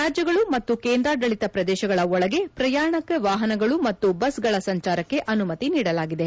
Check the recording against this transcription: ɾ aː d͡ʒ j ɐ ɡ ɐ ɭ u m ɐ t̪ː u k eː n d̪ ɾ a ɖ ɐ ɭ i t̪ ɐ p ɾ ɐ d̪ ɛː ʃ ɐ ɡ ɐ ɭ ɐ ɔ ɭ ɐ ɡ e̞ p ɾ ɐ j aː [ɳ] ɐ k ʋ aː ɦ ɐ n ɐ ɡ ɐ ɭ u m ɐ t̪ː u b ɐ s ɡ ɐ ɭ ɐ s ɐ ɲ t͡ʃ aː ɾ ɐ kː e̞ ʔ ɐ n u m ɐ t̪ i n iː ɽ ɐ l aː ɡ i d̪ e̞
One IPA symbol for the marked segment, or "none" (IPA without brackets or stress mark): ɳ